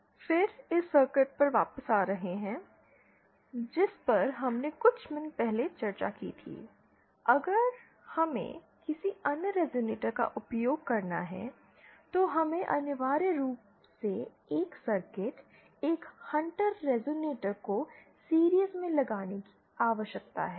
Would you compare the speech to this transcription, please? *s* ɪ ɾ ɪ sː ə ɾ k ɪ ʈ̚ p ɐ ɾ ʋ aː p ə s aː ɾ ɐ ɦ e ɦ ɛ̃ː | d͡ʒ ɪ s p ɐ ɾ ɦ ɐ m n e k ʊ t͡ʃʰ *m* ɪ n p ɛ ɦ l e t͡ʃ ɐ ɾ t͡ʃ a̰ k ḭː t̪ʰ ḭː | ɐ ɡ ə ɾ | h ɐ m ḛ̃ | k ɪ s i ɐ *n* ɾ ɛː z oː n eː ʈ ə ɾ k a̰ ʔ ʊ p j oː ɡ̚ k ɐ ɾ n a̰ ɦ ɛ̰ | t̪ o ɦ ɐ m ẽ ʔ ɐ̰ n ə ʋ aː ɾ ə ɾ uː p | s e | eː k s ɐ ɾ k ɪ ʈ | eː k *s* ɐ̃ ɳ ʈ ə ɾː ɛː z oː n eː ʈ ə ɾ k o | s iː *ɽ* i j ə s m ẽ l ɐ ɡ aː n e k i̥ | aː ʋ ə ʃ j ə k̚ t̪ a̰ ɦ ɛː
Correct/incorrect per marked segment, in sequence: incorrect: f, correct, correct, incorrect: h, incorrect: ɾ

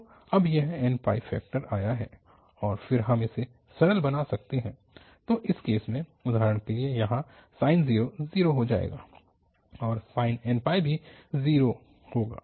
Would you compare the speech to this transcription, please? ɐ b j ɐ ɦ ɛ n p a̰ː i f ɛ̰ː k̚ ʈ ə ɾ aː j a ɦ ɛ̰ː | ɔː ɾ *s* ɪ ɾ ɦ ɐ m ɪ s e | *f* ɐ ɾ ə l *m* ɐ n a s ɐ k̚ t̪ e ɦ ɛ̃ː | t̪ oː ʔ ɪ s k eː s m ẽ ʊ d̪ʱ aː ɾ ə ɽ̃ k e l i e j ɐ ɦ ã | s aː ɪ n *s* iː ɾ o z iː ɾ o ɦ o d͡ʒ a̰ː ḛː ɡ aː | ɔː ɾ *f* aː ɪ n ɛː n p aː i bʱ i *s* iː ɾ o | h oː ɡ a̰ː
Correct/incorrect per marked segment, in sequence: incorrect: f, incorrect: s, incorrect: b, incorrect: z, incorrect: s, incorrect: z

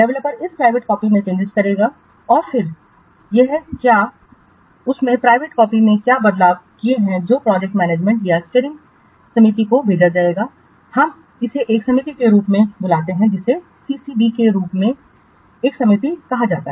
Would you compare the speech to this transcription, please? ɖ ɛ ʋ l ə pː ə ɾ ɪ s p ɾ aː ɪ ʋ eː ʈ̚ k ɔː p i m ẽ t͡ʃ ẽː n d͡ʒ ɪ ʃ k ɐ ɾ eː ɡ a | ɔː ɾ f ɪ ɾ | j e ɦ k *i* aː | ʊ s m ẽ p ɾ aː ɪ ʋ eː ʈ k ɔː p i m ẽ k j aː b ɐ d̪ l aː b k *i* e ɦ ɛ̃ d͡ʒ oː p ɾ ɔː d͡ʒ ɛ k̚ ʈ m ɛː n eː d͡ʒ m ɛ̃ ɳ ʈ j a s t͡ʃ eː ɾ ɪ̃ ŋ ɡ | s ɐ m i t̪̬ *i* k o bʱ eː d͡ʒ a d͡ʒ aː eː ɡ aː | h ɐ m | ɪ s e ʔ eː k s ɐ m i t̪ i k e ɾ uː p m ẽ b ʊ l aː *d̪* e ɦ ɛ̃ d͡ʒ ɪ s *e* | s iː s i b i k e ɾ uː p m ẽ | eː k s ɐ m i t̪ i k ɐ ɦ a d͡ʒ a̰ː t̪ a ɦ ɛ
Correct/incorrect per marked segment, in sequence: incorrect: j, correct, correct, incorrect: t̪, correct

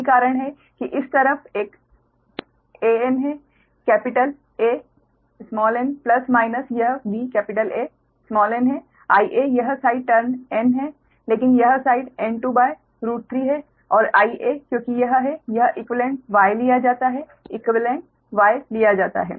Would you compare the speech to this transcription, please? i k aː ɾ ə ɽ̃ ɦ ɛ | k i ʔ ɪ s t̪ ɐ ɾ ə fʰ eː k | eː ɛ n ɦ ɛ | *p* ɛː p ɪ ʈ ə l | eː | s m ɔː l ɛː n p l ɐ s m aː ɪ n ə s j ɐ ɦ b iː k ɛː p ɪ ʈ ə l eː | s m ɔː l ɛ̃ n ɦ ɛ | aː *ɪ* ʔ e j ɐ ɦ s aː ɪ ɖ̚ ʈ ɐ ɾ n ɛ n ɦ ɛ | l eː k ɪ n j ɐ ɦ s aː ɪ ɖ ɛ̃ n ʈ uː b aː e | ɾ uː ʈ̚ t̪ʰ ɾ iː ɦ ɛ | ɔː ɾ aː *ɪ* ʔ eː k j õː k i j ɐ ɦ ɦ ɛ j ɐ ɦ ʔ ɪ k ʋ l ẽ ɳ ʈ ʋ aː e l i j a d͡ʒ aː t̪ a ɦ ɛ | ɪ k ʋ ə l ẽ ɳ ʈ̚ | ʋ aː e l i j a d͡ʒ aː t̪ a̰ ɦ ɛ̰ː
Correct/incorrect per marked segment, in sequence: incorrect: k, incorrect: i, incorrect: i

